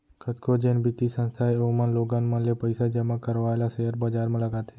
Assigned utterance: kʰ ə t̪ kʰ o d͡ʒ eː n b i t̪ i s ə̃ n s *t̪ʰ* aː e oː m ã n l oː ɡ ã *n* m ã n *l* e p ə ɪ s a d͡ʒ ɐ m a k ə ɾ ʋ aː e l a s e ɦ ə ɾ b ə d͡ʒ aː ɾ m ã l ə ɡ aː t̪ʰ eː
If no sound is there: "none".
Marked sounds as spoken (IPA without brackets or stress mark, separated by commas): t̪ʰ, n, l